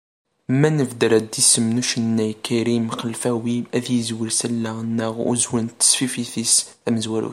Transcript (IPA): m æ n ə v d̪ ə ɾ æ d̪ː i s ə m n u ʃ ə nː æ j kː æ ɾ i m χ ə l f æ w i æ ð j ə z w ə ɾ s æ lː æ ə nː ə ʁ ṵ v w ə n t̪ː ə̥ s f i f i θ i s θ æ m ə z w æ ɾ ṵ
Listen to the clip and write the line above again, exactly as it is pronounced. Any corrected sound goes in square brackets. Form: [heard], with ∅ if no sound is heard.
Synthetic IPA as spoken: m æ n ə v d̪ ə ɾ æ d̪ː i s ə m n u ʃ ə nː æ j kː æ ɾ i m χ ə l f æ w i æ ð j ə z w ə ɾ s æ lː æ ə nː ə ʁ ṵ [z] w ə n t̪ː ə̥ s f i f i θ i s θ æ m ə z w æ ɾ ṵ